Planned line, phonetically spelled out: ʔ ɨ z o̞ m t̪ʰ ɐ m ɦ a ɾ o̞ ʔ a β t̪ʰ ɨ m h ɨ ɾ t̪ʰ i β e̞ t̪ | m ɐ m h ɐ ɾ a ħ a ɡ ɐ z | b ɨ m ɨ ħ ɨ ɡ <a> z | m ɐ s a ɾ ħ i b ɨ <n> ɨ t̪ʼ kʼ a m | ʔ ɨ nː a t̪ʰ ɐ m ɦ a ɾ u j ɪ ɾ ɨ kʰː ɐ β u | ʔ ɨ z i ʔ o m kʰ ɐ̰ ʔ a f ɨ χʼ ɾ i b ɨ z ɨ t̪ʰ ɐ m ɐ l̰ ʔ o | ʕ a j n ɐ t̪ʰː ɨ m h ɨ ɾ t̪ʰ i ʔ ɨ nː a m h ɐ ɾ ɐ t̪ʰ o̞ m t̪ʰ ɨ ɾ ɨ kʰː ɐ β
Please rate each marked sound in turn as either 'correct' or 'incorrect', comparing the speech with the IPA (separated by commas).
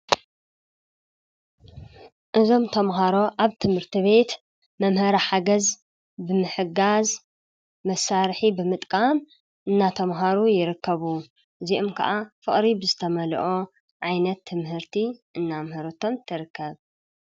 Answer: correct, incorrect